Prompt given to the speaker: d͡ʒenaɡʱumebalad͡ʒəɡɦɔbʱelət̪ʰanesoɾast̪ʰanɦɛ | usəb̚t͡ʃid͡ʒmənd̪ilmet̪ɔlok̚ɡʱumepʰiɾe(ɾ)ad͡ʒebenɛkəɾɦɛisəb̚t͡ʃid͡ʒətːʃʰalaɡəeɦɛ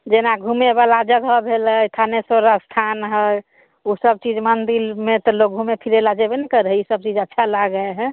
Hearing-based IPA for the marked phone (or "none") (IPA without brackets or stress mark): l